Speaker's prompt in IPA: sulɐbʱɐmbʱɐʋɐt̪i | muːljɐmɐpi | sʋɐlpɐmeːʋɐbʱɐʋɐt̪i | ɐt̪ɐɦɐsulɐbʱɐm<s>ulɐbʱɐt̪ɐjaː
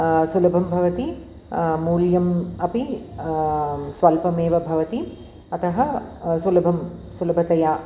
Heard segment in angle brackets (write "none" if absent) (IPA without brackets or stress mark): s